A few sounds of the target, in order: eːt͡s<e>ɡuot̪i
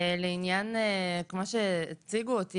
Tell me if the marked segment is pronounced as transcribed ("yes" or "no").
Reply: no